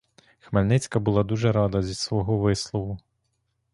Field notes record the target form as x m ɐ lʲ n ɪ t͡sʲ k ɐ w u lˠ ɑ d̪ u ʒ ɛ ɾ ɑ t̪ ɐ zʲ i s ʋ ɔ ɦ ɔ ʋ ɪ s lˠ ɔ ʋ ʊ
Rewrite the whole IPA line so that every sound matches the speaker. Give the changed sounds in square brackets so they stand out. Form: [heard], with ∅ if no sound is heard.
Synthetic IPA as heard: x m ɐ lʲ n ɪ t͡sʲ k ɐ [b] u lˠ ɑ d̪ u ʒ ɛ ɾ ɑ [d̪] ɐ zʲ i s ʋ ɔ ɦ ɔ ʋ ɪ s lˠ ɔ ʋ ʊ